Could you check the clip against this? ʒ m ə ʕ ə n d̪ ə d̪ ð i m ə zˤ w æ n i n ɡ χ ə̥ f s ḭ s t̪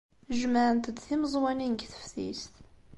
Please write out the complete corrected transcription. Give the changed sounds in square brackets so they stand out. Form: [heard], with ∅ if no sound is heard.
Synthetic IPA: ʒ m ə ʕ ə n [t̪] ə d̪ [θ] i m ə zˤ w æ n i n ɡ [θ] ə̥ f [θ] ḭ s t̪